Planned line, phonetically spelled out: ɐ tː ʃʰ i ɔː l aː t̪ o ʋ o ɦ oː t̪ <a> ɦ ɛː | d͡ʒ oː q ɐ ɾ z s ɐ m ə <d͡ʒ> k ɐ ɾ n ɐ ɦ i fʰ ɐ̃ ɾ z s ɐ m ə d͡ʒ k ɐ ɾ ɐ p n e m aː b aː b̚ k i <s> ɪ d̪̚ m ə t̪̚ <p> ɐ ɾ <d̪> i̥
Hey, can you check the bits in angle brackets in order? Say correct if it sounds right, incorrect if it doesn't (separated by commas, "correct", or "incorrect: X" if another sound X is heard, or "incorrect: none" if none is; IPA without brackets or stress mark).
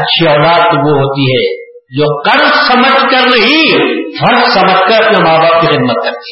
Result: incorrect: i, correct, incorrect: x, incorrect: k, incorrect: t̪